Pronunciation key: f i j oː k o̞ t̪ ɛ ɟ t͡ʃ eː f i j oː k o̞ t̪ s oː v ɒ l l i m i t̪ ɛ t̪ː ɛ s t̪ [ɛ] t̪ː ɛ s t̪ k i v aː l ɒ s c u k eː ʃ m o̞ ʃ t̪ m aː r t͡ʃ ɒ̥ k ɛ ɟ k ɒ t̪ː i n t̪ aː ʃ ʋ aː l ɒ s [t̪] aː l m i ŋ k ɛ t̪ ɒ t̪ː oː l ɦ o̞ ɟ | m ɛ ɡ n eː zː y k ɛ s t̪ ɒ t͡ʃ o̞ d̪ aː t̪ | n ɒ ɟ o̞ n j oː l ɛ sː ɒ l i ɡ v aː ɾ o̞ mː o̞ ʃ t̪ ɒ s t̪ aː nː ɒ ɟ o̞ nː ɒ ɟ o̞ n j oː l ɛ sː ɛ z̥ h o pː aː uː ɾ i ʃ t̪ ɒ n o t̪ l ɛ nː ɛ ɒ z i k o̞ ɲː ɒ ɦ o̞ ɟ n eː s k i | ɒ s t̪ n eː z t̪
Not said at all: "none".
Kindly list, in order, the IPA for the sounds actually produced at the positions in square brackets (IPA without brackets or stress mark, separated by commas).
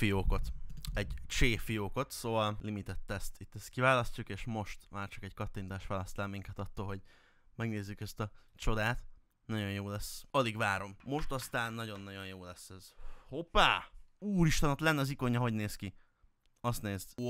i, t̪